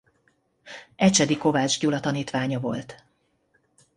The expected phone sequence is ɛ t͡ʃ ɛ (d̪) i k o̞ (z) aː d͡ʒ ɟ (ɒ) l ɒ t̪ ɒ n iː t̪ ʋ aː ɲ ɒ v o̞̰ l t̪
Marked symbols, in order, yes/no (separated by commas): yes, no, no